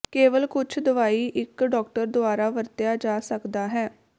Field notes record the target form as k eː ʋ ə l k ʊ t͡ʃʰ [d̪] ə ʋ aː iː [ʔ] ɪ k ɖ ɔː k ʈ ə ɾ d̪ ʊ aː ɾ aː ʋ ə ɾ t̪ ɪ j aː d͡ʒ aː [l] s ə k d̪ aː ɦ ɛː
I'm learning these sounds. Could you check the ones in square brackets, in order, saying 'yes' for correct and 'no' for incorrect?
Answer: yes, yes, no

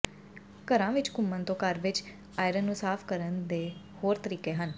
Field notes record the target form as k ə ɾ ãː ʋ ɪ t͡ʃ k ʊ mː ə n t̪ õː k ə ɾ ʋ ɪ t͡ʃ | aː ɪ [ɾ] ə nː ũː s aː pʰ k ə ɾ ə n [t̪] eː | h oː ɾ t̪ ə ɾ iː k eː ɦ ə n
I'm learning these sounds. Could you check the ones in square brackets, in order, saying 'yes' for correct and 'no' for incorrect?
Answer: yes, no

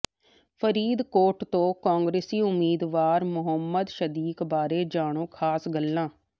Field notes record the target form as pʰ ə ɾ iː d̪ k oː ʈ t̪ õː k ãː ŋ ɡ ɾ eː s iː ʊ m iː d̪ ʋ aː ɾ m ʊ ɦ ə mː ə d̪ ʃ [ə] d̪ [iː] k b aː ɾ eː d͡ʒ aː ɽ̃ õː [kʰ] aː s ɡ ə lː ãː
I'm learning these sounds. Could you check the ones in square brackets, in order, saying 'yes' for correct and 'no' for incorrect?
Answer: yes, yes, yes

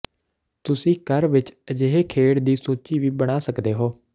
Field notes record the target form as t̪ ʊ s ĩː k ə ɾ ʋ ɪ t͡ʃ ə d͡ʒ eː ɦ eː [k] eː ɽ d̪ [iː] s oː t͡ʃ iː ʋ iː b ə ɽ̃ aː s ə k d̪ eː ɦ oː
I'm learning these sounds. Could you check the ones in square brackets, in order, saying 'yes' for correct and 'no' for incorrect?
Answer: no, yes

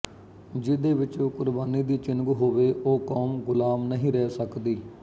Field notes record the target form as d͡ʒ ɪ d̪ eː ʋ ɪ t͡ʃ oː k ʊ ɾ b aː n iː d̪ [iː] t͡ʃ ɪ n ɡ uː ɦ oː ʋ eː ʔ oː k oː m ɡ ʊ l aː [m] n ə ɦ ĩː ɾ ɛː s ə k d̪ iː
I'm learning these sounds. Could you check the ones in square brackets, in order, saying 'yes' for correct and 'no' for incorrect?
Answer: yes, yes

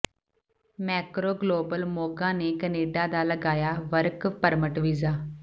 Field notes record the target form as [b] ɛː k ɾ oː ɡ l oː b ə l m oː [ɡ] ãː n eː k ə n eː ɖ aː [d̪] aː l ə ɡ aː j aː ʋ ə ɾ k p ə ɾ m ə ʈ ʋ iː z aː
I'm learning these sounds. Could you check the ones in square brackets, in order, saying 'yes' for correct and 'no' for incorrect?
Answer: no, yes, yes

